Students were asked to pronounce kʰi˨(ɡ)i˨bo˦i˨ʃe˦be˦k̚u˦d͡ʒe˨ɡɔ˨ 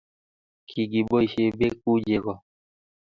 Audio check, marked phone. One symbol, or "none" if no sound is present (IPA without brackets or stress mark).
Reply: ɡ